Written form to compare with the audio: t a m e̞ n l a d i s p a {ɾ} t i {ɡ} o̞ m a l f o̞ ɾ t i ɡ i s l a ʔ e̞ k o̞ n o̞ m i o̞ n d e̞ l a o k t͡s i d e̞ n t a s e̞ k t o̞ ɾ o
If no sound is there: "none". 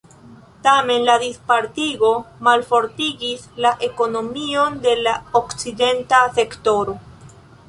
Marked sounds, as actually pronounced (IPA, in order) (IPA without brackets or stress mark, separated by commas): ɾ, ɡ